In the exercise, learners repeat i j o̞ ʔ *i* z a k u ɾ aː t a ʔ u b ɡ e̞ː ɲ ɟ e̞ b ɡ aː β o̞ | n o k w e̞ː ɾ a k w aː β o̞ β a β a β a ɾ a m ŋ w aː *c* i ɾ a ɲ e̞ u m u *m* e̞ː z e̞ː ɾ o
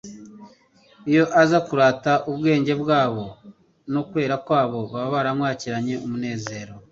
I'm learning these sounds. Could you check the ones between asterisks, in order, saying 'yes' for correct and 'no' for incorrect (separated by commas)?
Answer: no, yes, no